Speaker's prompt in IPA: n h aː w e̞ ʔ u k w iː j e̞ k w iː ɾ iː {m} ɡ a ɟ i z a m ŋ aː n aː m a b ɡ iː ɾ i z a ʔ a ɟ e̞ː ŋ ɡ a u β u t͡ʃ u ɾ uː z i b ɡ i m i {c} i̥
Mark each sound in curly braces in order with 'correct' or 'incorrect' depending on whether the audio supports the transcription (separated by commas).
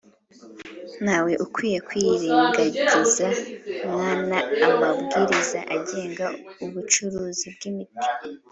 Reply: incorrect, incorrect